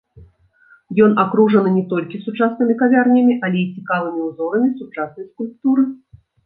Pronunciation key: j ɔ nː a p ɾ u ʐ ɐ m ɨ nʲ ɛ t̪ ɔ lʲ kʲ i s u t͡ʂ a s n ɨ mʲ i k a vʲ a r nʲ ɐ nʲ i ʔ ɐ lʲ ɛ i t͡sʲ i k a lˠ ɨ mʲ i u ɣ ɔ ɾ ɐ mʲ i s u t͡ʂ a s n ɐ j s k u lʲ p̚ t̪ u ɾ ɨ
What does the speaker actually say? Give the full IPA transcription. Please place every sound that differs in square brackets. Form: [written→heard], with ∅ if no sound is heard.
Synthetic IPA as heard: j ɔ [nː→n] a [p→k] ɾ u ʐ ɐ [m→n] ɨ nʲ ɛ t̪ ɔ lʲ kʲ i s u t͡ʂ a s n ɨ mʲ i k a vʲ a r nʲ ɐ [nʲ→mʲ] i ʔ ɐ lʲ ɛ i t͡sʲ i k a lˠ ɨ mʲ i u [ɣ→z] ɔ ɾ ɐ mʲ i s u t͡ʂ a s n ɐ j s k u lʲ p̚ t̪ u ɾ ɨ